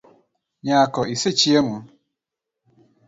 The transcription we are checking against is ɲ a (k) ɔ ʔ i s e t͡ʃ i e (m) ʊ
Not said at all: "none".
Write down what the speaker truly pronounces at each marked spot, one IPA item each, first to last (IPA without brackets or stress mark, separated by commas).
k, m